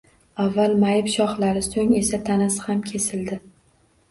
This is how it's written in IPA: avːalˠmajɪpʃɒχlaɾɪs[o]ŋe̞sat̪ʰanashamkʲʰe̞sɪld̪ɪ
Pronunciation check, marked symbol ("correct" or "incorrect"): correct